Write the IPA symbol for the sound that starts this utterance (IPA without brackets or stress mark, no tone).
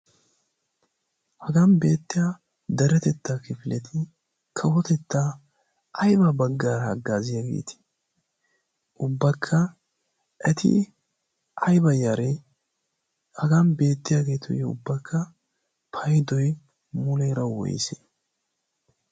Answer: h